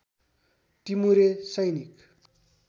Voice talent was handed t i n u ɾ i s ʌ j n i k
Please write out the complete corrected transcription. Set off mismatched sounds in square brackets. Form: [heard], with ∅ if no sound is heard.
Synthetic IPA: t i [m] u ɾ [e] s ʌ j n i k

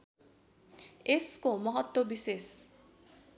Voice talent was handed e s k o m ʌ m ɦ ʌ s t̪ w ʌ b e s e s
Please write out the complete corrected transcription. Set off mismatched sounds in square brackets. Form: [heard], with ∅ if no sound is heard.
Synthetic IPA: e s k o m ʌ [∅] ɦ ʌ [∅] t̪ w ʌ b [i] s e s

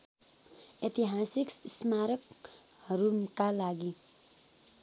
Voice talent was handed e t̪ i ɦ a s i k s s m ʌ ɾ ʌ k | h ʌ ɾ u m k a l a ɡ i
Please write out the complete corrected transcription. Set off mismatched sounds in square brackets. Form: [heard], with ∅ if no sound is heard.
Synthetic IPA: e t̪ i ɦ a s i k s s m [a] ɾ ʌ k | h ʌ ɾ u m k a l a ɡ i

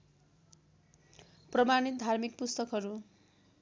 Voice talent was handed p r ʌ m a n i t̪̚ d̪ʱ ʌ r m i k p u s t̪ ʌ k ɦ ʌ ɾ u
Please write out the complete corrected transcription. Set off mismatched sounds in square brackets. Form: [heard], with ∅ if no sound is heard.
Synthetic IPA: p r ʌ m a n i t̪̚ d̪ʱ [a] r m i k p u s t̪ ʌ k ɦ ʌ ɾ u

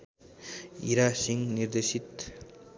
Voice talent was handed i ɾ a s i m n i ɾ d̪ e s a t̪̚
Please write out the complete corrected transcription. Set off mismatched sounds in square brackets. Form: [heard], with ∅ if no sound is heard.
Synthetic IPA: i ɾ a s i [ŋ] n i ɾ d̪ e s [i] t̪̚

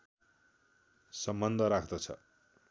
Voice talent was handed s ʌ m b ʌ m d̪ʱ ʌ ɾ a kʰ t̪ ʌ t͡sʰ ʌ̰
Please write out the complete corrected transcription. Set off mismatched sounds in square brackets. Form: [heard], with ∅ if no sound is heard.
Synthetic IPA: s ʌ m b ʌ [n] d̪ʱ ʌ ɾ a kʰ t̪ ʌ t͡sʰ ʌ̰

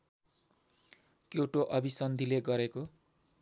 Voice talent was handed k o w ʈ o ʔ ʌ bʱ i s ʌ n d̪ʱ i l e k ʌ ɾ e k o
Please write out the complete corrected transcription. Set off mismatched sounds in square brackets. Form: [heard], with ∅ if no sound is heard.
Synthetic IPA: k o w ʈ o ʔ ʌ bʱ i s ʌ n d̪ʱ i l e [ɡ] ʌ ɾ e k o

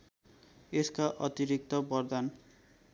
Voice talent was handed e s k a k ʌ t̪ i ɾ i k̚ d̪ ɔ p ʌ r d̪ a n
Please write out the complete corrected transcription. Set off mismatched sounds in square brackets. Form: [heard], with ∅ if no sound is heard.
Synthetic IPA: e s k a [ʔ] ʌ t̪ i ɾ i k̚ [t̪] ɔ [b] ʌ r d̪ a n

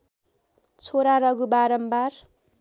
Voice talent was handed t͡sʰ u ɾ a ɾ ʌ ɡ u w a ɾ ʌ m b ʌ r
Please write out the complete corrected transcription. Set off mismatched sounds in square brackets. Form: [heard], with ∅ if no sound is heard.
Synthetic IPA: t͡sʰ [o] ɾ a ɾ ʌ ɡ u [b] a ɾ ʌ m b [a] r

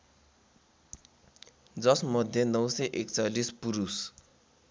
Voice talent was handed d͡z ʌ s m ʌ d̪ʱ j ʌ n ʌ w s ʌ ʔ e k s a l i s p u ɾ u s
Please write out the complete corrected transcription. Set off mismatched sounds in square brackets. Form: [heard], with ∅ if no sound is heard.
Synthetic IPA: d͡z ʌ s m ʌ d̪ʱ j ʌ n ʌ w s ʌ ʔ e k [t͡s] a l i s p u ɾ u s

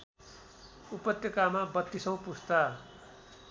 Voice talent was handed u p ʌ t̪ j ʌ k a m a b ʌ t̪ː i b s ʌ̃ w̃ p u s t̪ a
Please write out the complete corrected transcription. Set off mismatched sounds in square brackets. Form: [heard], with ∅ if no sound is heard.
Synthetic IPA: u p ʌ t̪ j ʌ k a m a b ʌ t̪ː i [∅] s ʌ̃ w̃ p u s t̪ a

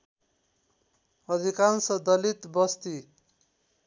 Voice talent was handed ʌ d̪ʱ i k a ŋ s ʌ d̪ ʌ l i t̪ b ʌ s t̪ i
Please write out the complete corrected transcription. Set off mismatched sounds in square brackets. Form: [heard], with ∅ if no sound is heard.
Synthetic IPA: ʌ d̪ʱ i k a [n] s ʌ d̪ ʌ l i t̪ b ʌ s t̪ i

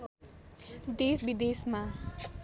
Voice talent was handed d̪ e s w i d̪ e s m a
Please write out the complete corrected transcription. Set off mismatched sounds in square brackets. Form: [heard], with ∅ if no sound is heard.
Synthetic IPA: d̪ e s [b] i d̪ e s m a

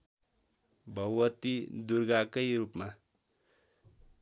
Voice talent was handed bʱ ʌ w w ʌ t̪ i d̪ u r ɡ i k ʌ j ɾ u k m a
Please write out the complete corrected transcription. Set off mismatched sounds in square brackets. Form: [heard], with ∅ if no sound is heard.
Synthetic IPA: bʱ ʌ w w ʌ t̪ i d̪ u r ɡ [a] k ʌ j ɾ u [p] m a

